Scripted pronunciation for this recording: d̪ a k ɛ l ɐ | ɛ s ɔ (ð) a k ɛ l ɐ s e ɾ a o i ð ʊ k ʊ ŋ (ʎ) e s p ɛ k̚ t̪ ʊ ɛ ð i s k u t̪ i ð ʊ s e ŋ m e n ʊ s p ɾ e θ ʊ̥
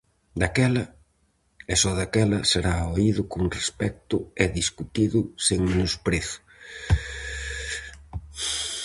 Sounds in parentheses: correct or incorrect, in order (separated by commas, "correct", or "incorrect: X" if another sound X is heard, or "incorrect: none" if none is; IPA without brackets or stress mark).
correct, incorrect: r